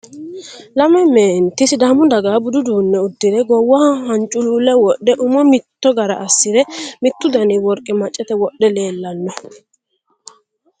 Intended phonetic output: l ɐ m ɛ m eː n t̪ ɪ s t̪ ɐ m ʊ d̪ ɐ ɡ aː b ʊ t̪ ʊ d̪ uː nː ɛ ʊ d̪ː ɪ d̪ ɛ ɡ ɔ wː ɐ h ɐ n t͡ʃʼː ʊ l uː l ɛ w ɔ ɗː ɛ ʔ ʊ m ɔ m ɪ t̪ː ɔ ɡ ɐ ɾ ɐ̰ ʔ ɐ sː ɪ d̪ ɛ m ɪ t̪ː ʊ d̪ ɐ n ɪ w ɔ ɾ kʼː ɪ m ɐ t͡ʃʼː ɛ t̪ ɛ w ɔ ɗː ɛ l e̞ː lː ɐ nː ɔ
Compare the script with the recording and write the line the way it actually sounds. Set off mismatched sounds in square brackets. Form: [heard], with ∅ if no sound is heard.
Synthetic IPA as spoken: l ɐ m ɛ m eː n t̪ ɪ s [d̪] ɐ m ʊ d̪ ɐ ɡ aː b ʊ [d̪] ʊ d̪ uː nː ɛ ʊ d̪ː ɪ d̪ ɛ ɡ ɔ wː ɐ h ɐ n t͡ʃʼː ʊ l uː l ɛ w ɔ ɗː ɛ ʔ ʊ m ɔ m ɪ t̪ː ɔ ɡ ɐ ɾ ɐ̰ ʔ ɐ sː ɪ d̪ ɛ m ɪ t̪ː ʊ d̪ ɐ n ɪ w ɔ ɾ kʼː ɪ m ɐ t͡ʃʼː ɛ t̪ ɛ w ɔ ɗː ɛ l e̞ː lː ɐ nː ɔ